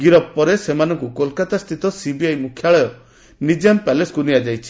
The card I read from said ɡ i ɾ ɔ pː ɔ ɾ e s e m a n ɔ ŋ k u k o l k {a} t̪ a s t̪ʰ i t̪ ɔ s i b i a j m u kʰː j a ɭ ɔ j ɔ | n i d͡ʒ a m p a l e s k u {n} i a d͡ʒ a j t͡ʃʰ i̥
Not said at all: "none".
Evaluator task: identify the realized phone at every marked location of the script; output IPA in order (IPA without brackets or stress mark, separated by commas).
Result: a, n